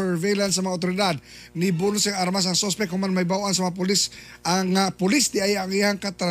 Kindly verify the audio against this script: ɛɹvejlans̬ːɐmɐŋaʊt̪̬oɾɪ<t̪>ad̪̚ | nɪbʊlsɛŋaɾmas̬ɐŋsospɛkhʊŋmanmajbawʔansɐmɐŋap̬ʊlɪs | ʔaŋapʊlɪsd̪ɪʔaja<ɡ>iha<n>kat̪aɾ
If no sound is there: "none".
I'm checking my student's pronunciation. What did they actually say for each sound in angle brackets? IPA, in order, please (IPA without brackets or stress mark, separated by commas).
d̪, ŋ, ŋ